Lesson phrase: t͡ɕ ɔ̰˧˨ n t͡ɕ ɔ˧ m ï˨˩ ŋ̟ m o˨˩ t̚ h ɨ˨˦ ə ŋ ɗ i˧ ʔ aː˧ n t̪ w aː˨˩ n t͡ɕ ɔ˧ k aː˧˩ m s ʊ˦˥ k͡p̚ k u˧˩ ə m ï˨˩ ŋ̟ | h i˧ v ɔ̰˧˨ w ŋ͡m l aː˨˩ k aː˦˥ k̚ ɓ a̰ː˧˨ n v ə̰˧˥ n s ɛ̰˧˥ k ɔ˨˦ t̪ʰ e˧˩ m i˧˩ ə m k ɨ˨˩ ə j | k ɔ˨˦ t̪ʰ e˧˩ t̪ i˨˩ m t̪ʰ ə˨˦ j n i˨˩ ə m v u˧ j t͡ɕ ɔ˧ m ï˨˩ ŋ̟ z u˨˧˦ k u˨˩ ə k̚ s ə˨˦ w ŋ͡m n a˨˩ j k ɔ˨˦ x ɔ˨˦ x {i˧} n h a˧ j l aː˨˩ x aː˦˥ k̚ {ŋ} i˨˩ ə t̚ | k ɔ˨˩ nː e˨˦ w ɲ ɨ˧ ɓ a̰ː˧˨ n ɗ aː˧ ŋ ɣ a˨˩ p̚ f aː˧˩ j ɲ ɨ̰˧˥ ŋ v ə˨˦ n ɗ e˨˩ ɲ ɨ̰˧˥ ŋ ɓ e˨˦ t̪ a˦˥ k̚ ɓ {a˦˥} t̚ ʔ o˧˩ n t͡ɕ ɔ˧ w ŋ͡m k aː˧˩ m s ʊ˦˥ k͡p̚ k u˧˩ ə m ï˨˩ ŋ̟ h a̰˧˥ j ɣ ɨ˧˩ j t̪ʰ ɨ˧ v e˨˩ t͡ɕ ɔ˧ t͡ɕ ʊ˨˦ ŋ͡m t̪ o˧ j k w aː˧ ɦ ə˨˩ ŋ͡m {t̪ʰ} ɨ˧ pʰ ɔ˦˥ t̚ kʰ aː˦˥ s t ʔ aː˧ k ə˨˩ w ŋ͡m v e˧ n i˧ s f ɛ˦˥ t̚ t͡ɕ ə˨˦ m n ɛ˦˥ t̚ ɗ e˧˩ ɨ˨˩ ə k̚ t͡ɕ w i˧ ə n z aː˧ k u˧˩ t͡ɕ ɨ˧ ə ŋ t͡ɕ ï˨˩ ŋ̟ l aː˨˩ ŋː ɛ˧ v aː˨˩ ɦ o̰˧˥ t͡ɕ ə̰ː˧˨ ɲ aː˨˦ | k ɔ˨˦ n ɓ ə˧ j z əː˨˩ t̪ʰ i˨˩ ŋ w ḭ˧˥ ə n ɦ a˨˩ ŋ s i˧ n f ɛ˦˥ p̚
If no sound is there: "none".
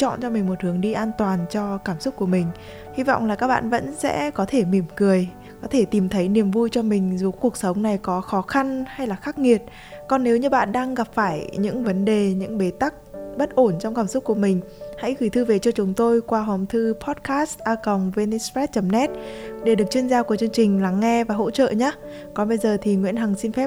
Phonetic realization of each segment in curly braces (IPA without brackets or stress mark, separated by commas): a˧, ŋ, ə˦˥, t̪ʰ